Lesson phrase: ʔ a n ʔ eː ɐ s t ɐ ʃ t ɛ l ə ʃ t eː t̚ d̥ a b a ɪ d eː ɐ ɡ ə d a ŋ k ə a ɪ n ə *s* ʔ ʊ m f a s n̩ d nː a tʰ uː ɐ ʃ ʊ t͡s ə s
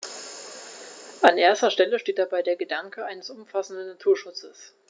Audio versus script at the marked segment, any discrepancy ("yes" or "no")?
no